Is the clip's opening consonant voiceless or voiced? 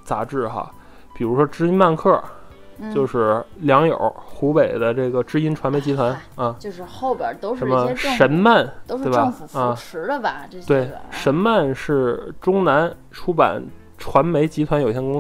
voiceless